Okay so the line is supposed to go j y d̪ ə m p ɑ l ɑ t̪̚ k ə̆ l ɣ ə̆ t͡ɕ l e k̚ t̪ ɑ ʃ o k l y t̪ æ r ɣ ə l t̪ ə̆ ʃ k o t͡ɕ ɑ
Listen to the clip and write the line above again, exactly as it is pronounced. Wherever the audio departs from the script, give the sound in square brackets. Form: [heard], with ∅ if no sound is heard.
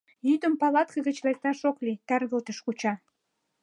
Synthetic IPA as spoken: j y d̪ ə m p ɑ l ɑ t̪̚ k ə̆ [∅] ɣ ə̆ t͡ɕ l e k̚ t̪ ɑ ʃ o k l [i] t̪ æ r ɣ ə l t̪ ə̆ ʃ k [u] t͡ɕ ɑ